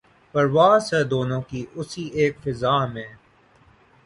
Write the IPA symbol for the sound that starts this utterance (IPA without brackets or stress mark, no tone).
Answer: p